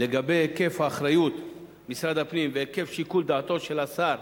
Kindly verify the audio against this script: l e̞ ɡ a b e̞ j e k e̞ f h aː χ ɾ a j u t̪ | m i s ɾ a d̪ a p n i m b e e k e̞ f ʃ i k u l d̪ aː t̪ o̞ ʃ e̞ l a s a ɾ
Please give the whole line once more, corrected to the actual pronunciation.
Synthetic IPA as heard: l e̞ ɡ a b e̞ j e k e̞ f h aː χ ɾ a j u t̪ | m i s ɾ a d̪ a p n i m v e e k e̞ f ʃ i k u l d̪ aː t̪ o̞ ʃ e̞ l a s a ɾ